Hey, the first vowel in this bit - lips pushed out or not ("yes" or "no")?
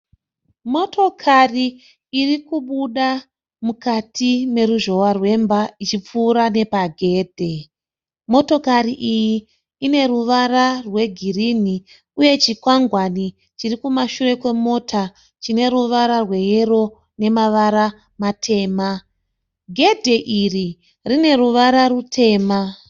yes